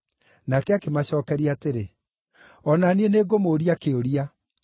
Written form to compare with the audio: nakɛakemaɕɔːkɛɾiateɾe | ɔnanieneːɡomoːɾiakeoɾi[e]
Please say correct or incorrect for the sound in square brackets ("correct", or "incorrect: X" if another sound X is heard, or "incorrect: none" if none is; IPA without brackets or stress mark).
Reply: incorrect: a